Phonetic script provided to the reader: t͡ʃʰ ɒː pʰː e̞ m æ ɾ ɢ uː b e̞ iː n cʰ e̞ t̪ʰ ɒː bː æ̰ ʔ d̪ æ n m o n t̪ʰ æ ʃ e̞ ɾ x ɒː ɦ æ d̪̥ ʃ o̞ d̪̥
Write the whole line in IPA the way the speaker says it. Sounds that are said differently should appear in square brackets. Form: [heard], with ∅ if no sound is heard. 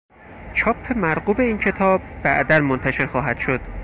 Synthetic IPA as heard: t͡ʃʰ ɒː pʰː e̞ m æ ɾ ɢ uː b e̞ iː n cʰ e̞ t̪ʰ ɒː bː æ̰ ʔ d̪ æ n m o n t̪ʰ æ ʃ e̞ ɾ x ɒː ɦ æ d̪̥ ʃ o̞ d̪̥